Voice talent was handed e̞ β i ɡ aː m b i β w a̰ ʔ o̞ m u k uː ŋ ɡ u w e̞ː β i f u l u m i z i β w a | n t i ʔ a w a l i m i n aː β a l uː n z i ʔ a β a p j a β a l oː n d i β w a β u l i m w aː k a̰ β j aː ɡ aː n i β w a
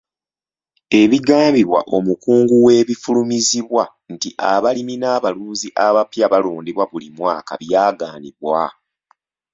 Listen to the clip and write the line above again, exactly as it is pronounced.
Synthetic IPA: e̞ β i ɡ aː m b i β w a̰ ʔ o̞ m u k uː ŋ ɡ u w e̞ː β i f u l u m i z i β w a | n t i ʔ a β a l i m i n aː β a l uː n z i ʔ a β a p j a β a l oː n d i β w a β u l i m w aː k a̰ β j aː ɡ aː n i β w a